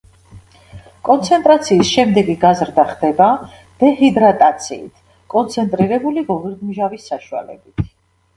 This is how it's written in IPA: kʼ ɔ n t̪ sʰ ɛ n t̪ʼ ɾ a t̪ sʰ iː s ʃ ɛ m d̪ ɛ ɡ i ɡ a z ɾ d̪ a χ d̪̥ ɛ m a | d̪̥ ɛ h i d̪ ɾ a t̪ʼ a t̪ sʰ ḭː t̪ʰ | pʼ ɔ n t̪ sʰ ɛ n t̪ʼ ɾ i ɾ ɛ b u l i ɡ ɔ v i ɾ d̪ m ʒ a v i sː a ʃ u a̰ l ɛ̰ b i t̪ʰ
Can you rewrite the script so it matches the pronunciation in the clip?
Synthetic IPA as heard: kʼ ɔ n t̪ sʰ ɛ n t̪ʼ ɾ a t̪ sʰ iː s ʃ ɛ m d̪ ɛ ɡ i ɡ a z ɾ d̪ a χ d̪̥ ɛ b a | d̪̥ ɛ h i d̪ ɾ a t̪ʼ a t̪ sʰ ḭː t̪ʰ | kʼ ɔ n t̪ sʰ ɛ n t̪ʼ ɾ i ɾ ɛ b u l i ɡ ɔ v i ɾ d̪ m ʒ a v i sː a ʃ u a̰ l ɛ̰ b i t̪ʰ